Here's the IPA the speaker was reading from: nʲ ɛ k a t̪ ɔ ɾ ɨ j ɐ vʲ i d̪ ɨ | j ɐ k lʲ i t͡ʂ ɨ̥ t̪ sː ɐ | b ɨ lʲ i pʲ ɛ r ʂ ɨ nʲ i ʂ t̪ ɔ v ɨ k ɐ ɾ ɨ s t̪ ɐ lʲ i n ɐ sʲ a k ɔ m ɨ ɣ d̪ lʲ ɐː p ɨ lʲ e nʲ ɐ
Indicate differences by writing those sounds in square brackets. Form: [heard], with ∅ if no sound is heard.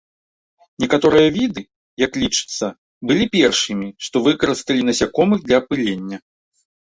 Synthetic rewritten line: nʲ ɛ k a t̪ ɔ ɾ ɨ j ɐ vʲ i d̪ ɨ | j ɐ k lʲ i t͡ʂ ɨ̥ t̪ sː ɐ | b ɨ lʲ i pʲ ɛ r ʂ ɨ [mʲ] i ʂ t̪ ɔ v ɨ k ɐ ɾ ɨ s t̪ ɐ lʲ i n ɐ sʲ a k ɔ m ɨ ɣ d̪ lʲ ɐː p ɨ lʲ e [nʲː] ɐ